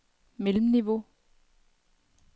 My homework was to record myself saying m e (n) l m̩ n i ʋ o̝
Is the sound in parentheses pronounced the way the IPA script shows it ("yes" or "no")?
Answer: no